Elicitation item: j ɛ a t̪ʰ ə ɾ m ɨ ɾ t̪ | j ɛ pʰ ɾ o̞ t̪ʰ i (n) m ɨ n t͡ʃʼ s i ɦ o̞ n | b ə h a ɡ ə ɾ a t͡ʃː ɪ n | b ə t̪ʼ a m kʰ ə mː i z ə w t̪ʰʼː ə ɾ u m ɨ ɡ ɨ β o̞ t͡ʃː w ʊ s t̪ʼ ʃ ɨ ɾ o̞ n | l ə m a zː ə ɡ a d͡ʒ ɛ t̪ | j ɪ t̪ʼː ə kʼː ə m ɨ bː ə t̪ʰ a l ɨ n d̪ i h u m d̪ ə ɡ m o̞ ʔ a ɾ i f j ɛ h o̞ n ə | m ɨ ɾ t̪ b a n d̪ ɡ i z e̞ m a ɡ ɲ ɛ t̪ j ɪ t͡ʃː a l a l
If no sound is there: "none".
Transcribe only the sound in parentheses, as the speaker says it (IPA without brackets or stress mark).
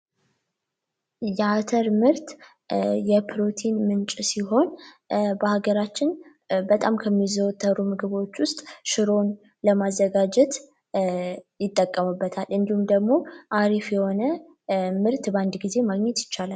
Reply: n